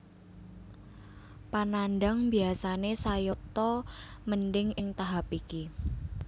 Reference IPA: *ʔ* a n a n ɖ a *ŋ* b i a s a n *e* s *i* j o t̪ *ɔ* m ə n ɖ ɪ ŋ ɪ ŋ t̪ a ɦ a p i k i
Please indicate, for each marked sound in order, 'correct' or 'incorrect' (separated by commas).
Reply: incorrect, correct, correct, incorrect, correct